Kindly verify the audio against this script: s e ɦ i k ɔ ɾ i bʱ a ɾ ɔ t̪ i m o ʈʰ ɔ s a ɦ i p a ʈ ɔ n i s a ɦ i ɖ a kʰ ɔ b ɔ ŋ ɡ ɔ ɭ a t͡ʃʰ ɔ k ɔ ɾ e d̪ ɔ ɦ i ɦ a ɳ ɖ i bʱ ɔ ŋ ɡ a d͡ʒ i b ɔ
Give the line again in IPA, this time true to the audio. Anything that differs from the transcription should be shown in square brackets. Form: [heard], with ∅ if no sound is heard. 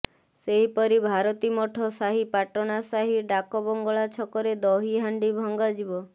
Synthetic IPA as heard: s e ɦ i [p] ɔ ɾ i bʱ a ɾ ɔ t̪ i m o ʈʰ ɔ s a ɦ i p a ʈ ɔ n [a] s a ɦ i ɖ a [k] ɔ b ɔ ŋ ɡ ɔ ɭ a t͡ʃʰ ɔ k ɔ ɾ e d̪ ɔ ɦ i ɦ a ɳ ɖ i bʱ ɔ ŋ ɡ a d͡ʒ i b ɔ